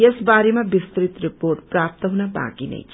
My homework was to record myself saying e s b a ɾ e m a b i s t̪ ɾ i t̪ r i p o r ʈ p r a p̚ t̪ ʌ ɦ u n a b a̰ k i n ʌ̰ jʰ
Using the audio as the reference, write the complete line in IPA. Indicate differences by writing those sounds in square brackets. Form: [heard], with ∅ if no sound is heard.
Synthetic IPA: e s b a ɾ e m a b i s t̪ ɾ i t̪ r i p o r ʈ p r a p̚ t̪ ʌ ɦ u n a b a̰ k i n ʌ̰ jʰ